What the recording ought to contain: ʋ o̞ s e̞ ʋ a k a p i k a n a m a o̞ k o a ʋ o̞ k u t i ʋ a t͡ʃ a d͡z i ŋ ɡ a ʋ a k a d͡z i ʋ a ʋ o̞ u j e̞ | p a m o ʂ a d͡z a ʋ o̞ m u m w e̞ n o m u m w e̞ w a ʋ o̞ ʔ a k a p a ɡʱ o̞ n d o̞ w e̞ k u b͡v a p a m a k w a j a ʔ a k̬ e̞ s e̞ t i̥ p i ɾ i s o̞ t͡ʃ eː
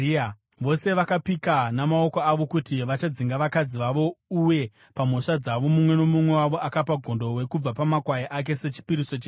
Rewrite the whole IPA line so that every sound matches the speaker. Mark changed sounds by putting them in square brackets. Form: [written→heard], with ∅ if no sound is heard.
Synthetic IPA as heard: ʋ o̞ s e̞ ʋ a k a p i k a n a m a o̞ k o a ʋ o̞ k u t i ʋ a t͡ʃ a d͡z i ŋ ɡ a ʋ a k a d͡z i ʋ a ʋ o̞ u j e̞ | p a m o ʂ a d͡z a ʋ o̞ m u m w e̞ n o m u m w e̞ w a ʋ o̞ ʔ a k a p a ɡʱ o̞ n d o̞ w e̞ k u b͡v a p a m a k w a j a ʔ a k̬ e̞ s e̞ [t→t͡ʃ] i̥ p i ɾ i s o̞ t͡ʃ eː

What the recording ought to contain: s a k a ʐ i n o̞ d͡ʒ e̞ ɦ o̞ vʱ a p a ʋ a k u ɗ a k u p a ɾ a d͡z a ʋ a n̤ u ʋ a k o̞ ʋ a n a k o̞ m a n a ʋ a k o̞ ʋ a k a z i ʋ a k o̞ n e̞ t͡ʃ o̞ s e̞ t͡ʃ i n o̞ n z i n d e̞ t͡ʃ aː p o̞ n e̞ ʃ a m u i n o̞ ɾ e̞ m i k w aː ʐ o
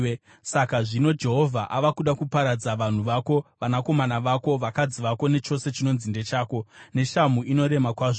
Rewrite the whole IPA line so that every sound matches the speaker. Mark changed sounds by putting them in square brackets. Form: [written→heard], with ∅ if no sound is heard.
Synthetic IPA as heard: s a k a ʐ i n o̞ d͡ʒ e̞ ɦ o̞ vʱ a [p→ʔ] a ʋ a k u ɗ a k u p a ɾ a d͡z a ʋ a n̤ u ʋ a k o̞ ʋ a n a k o̞ m a n a ʋ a k o̞ ʋ a k a [z→d͡z] i ʋ a k o̞ n e̞ t͡ʃ o̞ s e̞ t͡ʃ i n o̞ n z i n d e̞ t͡ʃ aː [p→k] o̞ n e̞ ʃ a m u i n o̞ ɾ e̞ m [i→a] k w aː ʐ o

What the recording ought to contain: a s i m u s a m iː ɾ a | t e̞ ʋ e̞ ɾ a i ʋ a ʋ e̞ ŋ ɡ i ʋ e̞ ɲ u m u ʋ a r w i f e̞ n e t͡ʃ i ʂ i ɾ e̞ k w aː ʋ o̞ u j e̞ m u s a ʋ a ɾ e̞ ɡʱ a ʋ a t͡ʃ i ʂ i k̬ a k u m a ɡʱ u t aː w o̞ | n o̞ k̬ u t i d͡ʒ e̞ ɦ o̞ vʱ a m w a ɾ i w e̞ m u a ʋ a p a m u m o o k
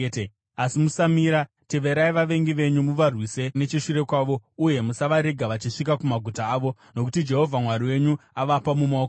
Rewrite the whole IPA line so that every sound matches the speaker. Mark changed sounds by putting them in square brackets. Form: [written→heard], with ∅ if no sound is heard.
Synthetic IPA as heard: a s i m u s a m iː ɾ a | t e̞ ʋ e̞ ɾ a i ʋ a ʋ e̞ ŋ ɡ i ʋ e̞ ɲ u m u ʋ a r w i [f→s] e̞ n e t͡ʃ i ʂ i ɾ e̞ k w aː ʋ o̞ u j e̞ m u s a ʋ a ɾ e̞ ɡʱ a ʋ a t͡ʃ i ʂ i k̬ a k u m a ɡʱ u t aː [w→ʋ] o̞ | n o̞ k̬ u t i d͡ʒ e̞ ɦ o̞ vʱ a m w a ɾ i w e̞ [m→ɲ] u a ʋ a p a m u m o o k

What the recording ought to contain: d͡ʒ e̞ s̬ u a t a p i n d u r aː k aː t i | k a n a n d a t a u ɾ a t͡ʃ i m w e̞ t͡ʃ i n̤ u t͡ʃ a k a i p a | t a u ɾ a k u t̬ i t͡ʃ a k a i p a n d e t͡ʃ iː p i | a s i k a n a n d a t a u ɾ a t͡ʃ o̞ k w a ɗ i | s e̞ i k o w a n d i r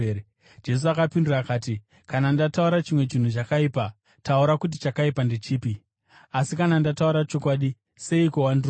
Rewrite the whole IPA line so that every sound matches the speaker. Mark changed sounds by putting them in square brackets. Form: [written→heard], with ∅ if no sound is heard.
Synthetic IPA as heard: d͡ʒ e̞ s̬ u a [t→k] a p i n d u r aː k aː t i | k a n a n d a t a u ɾ a t͡ʃ i m w e̞ t͡ʃ i n̤ u t͡ʃ a k a i p a | t a u ɾ a k u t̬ i t͡ʃ a k a i p a n d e t͡ʃ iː p i | a s i k a n a n d a t a u ɾ a t͡ʃ o̞ k w a ɗ i | s e̞ i k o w a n d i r

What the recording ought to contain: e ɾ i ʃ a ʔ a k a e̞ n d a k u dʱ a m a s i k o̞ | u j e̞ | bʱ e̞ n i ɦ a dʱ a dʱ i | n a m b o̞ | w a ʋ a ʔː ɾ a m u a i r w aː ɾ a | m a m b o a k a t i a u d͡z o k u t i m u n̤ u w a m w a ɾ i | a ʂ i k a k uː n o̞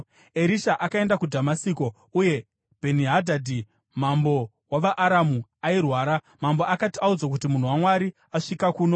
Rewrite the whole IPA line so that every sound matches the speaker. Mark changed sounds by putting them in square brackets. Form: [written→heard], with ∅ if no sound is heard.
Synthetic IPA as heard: e ɾ i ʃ a ʔ a k a e̞ n d a k u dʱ a m a s i k o̞ | u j e̞ | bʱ e̞ n i ɦ a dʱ a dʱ i | [n→m] a m b o̞ | w a ʋ a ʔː ɾ a m u a i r w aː ɾ a | m a m b o a k a t i a u d͡z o k u t i m u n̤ u w a m w a ɾ i | a ʂ i k a k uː n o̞

